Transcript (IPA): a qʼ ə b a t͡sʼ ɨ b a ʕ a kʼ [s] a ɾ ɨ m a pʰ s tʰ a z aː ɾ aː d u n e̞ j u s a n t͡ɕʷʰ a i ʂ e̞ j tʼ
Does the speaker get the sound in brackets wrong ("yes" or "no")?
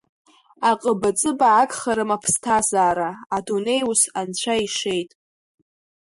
yes